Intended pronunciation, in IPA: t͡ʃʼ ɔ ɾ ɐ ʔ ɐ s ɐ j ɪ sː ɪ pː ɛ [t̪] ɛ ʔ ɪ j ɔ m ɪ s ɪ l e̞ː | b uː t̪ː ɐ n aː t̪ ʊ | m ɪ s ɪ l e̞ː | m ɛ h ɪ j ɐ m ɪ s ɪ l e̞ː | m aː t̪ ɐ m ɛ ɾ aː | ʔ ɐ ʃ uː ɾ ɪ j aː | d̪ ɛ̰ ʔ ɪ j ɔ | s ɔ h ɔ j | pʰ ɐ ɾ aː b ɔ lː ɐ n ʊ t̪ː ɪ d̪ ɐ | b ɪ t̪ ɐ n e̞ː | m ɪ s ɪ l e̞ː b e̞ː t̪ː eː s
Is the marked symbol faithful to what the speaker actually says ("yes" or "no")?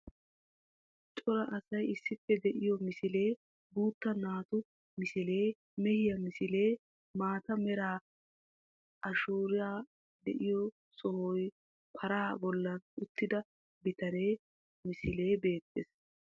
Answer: no